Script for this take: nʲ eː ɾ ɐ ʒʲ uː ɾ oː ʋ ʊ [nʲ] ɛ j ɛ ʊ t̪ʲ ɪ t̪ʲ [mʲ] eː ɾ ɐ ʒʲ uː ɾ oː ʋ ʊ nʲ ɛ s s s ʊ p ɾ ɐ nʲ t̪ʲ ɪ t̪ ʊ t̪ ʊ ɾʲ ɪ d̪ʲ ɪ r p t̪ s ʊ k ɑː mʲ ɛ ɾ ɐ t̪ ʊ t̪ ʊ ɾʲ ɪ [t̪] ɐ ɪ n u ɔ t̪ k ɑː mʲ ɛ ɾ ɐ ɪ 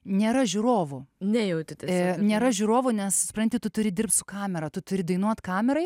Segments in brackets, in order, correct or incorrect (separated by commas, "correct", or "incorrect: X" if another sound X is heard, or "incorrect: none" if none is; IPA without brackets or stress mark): correct, incorrect: nʲ, incorrect: d̪